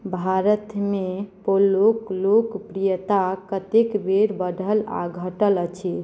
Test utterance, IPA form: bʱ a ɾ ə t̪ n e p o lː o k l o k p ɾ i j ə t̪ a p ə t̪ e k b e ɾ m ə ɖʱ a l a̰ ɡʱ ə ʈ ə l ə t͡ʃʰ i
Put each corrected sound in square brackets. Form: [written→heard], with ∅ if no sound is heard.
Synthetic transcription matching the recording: bʱ a ɾ ə t̪ [n→m] e p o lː o k l o k p ɾ i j ə t̪ a [p→k] ə t̪ e k b e ɾ [m→b] ə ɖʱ [a→ə] l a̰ ɡʱ ə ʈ ə l ə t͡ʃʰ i